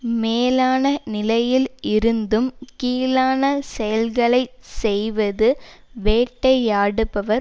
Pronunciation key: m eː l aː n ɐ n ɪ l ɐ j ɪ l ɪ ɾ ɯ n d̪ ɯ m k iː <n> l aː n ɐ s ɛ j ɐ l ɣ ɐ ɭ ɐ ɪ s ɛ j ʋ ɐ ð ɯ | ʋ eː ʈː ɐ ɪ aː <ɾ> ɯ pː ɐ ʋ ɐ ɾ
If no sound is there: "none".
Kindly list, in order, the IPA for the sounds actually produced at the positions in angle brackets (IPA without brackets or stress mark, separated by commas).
none, ɽ